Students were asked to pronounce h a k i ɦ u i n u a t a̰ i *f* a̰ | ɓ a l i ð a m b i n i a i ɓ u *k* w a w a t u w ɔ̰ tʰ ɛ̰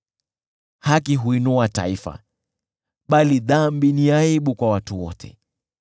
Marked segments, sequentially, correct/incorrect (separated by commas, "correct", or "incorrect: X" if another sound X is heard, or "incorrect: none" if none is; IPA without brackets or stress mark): correct, correct